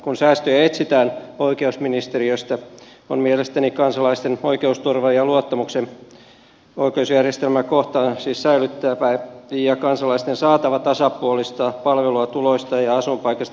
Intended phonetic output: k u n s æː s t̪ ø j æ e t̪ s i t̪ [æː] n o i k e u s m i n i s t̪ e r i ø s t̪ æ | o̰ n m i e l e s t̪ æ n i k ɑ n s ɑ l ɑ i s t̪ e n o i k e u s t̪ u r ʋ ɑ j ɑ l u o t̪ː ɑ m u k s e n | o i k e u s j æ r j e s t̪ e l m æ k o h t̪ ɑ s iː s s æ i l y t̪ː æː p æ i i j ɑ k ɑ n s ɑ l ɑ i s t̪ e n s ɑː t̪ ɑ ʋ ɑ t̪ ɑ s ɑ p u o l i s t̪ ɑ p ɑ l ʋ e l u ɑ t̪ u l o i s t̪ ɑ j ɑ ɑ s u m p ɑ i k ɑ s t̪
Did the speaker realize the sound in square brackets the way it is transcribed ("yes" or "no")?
yes